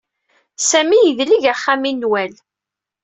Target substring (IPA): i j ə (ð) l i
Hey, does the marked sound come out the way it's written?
yes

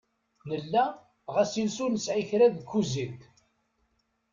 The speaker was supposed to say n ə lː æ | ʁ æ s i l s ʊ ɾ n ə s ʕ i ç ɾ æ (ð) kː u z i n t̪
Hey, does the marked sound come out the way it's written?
yes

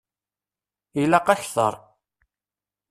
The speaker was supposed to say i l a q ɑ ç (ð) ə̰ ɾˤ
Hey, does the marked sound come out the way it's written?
no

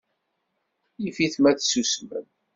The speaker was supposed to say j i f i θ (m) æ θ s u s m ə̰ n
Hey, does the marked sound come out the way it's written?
yes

